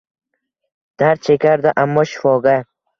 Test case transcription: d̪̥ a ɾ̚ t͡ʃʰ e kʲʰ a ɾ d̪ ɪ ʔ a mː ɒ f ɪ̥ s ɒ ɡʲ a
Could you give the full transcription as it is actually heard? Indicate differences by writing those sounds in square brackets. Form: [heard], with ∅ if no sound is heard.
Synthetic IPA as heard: d̪̥ a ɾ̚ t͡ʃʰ e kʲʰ a ɾ d̪ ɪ ʔ a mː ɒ [ʃ] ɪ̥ [f] ɒ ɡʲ a